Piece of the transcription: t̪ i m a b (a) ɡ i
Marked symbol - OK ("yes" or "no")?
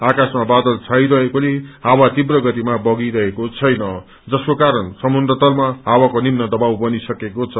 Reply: no